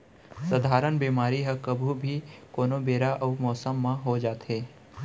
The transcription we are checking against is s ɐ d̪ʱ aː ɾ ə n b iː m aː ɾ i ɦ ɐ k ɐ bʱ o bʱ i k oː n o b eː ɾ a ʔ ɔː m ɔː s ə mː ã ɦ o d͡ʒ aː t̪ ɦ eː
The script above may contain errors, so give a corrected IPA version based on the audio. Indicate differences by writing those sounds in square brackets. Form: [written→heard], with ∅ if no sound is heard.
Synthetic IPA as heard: s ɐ d̪ʱ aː ɾ ə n b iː m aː ɾ i ɦ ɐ k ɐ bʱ [o→u] bʱ i k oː n o b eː ɾ a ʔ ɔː m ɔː s ə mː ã ɦ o d͡ʒ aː t̪ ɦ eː